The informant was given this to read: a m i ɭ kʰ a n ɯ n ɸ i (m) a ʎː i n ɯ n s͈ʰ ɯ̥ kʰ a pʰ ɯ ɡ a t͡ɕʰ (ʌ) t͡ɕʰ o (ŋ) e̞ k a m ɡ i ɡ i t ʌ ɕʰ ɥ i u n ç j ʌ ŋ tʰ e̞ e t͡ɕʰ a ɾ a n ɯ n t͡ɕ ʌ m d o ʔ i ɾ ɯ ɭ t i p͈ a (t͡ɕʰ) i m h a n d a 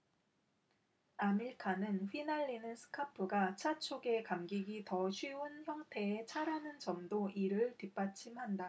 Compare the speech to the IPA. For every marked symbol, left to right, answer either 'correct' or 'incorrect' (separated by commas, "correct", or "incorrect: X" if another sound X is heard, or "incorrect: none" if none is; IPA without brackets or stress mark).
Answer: incorrect: n, incorrect: a, incorrect: ɡ, correct